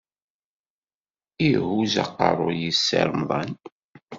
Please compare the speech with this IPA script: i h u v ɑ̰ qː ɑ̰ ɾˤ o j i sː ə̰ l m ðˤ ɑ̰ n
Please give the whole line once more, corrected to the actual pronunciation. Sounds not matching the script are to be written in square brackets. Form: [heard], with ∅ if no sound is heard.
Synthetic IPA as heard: i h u [z] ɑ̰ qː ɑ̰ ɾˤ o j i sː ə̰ [ɾ] m ðˤ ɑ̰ n